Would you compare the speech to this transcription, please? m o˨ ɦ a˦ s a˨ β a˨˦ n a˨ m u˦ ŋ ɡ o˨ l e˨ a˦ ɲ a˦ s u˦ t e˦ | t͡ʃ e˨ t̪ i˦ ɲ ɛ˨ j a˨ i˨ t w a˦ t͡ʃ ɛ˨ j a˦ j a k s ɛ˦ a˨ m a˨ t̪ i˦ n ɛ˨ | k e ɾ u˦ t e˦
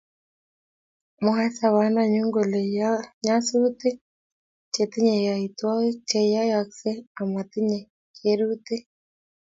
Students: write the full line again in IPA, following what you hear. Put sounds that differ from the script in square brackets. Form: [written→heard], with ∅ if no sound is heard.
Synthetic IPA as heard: m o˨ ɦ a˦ s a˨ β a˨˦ n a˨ [m→ɲ] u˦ ŋ ɡ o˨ l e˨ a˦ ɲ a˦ s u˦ t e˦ | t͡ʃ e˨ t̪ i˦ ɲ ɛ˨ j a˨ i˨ t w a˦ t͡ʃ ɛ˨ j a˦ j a k s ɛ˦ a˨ m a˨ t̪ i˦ [n→ɲ] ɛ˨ | k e ɾ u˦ t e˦